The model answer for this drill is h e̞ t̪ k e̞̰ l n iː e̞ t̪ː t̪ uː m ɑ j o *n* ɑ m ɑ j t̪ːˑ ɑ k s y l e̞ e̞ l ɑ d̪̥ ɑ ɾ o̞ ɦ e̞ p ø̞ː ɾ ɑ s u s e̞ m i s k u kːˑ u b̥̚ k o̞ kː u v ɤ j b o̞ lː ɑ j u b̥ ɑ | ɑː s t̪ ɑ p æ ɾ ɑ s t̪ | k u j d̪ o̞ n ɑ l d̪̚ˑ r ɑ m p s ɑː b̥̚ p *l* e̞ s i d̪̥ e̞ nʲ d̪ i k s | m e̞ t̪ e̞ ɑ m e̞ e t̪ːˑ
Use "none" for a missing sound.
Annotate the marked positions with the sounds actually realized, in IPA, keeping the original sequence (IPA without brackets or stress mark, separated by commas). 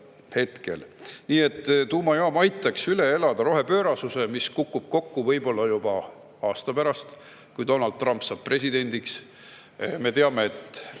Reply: none, r